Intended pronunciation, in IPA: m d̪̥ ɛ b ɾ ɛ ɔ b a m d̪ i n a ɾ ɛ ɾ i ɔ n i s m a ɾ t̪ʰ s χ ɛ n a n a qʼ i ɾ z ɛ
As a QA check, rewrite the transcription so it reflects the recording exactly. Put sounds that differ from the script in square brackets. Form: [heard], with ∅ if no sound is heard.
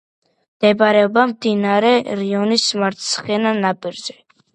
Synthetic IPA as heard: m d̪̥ ɛ b ɾ ɛ ɔ b a m d̪ i n a ɾ ɛ ɾ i ɔ n i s m a ɾ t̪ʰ s χ ɛ n a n a [pʼ] i ɾ z ɛ